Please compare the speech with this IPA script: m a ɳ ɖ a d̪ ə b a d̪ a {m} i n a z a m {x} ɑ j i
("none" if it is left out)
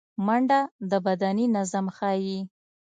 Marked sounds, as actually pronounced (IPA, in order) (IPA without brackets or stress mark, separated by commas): n, x